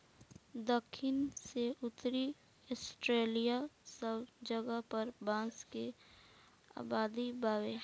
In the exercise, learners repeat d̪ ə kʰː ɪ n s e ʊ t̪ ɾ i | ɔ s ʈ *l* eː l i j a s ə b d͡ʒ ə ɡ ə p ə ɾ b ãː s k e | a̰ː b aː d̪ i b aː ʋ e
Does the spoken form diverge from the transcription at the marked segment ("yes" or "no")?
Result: yes